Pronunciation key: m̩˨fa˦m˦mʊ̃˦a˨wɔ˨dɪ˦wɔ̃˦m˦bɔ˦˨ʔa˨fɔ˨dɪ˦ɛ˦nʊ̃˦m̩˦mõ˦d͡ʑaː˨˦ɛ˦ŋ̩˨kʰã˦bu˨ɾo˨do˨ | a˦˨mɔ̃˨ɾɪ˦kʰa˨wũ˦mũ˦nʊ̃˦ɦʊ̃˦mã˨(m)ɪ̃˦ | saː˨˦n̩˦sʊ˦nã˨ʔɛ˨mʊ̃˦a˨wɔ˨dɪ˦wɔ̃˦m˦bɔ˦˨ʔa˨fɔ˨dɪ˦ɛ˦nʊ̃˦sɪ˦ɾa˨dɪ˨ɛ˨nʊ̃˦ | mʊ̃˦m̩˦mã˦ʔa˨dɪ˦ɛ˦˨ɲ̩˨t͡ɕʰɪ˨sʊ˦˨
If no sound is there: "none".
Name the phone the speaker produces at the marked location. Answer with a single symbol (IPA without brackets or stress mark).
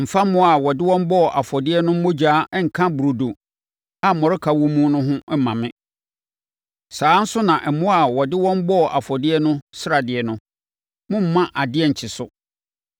m